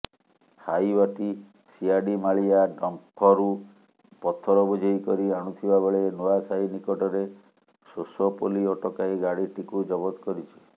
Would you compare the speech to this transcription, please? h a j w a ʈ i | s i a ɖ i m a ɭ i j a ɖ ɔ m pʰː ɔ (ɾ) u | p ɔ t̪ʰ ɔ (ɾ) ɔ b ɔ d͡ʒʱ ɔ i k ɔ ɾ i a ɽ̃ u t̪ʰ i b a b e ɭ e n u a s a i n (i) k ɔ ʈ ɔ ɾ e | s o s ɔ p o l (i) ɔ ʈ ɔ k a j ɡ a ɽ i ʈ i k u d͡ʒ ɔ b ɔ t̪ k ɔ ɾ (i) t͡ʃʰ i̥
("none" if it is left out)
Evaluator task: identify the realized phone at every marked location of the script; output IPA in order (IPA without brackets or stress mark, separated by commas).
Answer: ɾ, ɾ, i, i, i